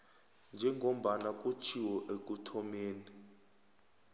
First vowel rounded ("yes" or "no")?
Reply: no